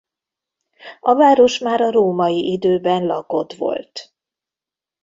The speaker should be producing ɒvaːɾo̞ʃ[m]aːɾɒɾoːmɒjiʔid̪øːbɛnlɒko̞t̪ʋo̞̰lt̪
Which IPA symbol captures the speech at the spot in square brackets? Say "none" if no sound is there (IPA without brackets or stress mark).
m